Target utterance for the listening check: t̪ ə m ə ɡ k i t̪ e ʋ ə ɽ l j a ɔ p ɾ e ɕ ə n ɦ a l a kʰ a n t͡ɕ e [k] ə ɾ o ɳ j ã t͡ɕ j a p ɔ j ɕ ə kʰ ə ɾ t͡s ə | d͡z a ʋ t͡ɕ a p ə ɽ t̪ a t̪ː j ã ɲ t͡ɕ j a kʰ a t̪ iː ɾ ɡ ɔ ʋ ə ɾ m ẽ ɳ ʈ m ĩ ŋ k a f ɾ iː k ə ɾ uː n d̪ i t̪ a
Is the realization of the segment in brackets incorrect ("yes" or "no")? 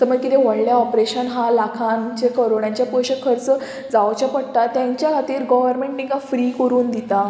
no